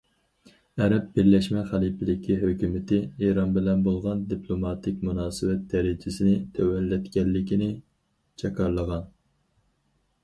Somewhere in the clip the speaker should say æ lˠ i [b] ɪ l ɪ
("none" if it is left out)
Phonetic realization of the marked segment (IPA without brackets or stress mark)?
p